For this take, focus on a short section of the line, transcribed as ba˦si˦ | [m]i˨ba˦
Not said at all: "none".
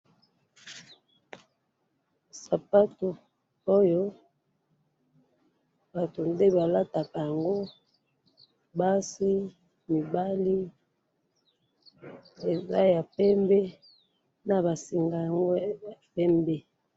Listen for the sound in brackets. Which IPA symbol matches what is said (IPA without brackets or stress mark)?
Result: m